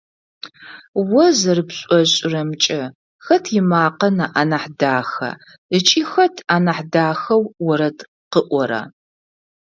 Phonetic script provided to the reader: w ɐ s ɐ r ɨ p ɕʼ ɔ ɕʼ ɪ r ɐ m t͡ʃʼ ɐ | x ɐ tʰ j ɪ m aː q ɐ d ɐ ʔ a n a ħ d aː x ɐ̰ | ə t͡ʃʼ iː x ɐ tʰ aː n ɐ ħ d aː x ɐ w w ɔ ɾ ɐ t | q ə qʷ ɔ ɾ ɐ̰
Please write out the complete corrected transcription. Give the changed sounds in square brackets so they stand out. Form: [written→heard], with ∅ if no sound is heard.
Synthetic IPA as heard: w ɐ [s→z] ɐ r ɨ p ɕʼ ɔ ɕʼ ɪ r ɐ m t͡ʃʼ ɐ | x ɐ tʰ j ɪ m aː q ɐ [d→n] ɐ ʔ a n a ħ d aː x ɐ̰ | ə t͡ʃʼ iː x ɐ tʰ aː n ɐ ħ d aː x ɐ w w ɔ ɾ ɐ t | q ə [qʷ→ʔʷ] ɔ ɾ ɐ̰